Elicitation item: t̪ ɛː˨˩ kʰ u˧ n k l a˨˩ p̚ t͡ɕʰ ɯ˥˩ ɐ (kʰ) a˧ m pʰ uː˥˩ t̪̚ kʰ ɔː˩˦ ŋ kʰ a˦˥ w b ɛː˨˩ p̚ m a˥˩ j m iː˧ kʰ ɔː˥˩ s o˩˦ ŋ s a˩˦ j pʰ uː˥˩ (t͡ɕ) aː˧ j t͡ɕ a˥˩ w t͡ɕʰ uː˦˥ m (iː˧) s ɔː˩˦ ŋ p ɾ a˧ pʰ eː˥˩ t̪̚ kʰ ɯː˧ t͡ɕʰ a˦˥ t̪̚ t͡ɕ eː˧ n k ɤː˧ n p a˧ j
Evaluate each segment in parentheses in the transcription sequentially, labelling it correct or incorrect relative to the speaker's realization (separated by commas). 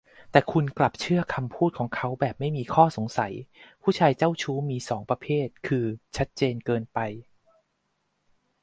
correct, incorrect, correct